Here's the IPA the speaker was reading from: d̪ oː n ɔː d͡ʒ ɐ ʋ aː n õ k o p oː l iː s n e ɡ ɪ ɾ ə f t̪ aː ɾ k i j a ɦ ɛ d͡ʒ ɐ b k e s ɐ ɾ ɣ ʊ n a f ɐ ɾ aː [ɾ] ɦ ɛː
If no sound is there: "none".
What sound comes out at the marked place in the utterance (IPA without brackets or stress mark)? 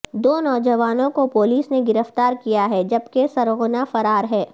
ɾ